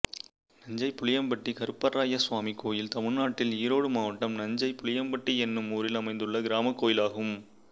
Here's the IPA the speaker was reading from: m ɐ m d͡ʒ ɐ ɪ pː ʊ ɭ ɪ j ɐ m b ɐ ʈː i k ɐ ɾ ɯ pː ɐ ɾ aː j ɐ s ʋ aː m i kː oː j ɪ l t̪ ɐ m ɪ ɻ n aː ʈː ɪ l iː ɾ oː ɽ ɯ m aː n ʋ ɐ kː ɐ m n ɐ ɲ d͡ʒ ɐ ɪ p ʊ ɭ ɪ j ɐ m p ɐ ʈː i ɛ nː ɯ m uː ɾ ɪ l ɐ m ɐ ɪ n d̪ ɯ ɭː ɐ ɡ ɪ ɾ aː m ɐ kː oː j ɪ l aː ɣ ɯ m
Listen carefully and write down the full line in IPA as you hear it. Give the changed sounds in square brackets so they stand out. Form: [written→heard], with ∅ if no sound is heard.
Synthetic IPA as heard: [m→n] ɐ [m→ɲ] d͡ʒ ɐ ɪ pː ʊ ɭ ɪ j ɐ m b ɐ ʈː i k ɐ ɾ ɯ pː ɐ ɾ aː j ɐ s ʋ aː m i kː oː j ɪ l t̪ ɐ m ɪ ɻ n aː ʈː ɪ l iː ɾ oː ɽ ɯ m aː [n→∅] ʋ ɐ [kː→ʈː] ɐ m n ɐ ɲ d͡ʒ ɐ ɪ p ʊ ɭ ɪ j ɐ m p ɐ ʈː i ɛ nː ɯ m uː ɾ ɪ l ɐ m ɐ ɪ n d̪ ɯ ɭː ɐ ɡ ɪ ɾ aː m ɐ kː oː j ɪ l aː ɣ ɯ m